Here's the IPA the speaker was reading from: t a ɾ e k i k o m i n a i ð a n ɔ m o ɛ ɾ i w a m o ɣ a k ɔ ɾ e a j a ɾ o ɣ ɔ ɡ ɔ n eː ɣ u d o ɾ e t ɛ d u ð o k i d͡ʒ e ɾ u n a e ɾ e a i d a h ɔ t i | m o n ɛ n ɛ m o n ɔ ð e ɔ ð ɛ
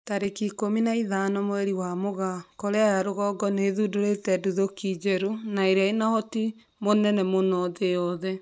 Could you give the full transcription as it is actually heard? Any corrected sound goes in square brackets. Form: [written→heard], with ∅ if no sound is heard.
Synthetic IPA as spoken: t a ɾ e k i k o m i n a i ð a n ɔ m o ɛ ɾ i w a m o ɣ a k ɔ ɾ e a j a ɾ o ɣ ɔ ɡ ɔ n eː [ɣ→ð] u d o ɾ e t ɛ d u ð o k i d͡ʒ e ɾ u n a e ɾ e a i [d→n] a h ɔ t i | m o n ɛ n ɛ m o n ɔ ð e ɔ ð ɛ